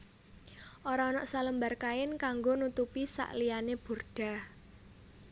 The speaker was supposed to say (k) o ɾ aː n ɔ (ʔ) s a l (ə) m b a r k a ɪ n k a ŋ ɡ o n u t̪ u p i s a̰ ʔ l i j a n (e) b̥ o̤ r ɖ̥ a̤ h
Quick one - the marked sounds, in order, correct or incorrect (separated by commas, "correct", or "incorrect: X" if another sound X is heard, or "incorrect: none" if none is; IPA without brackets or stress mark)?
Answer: incorrect: ʔ, correct, correct, correct